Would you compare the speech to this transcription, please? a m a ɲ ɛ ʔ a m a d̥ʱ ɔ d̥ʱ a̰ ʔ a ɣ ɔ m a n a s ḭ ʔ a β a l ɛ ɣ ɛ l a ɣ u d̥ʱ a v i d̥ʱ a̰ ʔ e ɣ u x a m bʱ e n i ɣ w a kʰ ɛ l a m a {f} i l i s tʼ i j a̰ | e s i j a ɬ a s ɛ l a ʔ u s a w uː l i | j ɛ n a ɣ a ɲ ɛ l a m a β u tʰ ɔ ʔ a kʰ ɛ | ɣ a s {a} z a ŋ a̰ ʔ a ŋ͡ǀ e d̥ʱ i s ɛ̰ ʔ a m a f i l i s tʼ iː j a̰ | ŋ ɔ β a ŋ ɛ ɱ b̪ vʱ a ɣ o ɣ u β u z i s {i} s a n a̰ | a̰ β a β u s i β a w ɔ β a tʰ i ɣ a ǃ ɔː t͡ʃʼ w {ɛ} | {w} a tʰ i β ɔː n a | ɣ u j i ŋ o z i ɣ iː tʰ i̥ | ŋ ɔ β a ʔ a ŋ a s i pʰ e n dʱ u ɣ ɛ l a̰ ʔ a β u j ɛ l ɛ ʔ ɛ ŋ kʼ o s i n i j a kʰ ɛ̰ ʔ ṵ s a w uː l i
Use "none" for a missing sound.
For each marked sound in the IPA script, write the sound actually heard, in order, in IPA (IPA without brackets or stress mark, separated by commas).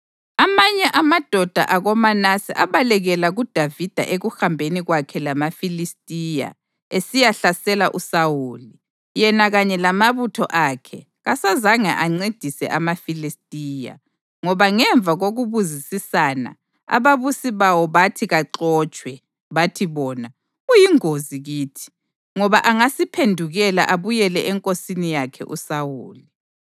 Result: f, a, i, ɛ, β